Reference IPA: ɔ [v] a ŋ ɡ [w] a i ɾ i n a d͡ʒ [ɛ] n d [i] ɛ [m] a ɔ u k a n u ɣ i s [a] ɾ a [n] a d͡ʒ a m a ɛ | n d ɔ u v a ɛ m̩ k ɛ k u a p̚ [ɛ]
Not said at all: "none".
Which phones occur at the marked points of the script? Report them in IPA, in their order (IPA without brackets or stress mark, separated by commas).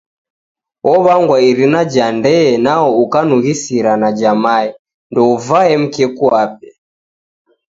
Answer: β, w, a, ɛ, n, i, n, ɛ